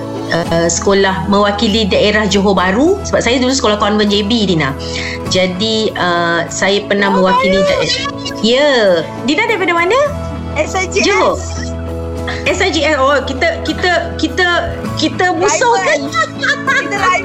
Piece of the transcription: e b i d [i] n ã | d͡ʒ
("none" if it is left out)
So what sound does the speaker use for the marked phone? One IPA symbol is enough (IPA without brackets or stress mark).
i